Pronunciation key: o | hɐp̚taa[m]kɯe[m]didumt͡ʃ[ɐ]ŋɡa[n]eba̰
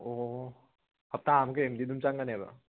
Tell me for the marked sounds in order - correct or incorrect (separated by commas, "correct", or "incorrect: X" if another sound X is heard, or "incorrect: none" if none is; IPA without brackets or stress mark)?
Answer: correct, correct, incorrect: a, correct